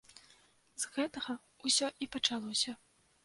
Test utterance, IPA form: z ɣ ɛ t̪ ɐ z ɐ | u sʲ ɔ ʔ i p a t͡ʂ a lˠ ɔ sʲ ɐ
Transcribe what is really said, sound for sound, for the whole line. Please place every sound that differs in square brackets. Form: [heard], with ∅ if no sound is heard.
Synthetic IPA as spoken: z ɣ ɛ t̪ ɐ [ɣ] ɐ | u sʲ ɔ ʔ i p [ɐ] t͡ʂ a lˠ ɔ sʲ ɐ